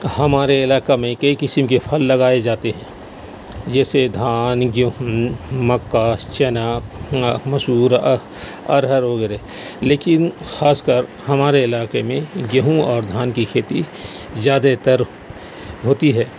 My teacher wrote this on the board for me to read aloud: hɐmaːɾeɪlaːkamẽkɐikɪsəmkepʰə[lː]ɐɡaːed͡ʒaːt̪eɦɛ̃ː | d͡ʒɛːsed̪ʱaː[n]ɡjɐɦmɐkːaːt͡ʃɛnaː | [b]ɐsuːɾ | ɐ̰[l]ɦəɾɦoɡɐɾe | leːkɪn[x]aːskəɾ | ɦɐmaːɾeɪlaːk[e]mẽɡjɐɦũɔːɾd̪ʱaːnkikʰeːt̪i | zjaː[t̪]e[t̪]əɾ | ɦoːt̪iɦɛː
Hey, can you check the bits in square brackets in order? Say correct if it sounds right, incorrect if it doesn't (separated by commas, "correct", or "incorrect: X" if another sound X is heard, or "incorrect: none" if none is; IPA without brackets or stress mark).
correct, correct, incorrect: m, incorrect: ɾ, correct, correct, incorrect: d̪, correct